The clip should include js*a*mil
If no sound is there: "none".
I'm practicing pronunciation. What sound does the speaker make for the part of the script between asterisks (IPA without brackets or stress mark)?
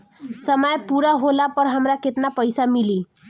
a